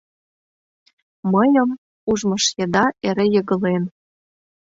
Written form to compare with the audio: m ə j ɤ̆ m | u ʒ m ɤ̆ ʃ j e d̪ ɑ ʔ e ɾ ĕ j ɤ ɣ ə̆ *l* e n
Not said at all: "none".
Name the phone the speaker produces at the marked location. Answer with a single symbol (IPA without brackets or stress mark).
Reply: l